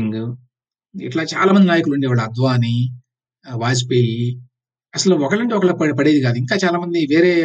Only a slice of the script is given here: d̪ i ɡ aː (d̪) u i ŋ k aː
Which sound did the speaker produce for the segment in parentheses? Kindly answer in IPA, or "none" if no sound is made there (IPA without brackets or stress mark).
d̪